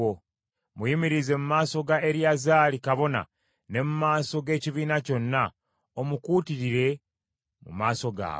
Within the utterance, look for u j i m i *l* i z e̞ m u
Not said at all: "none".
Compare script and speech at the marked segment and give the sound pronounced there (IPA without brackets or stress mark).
ɾ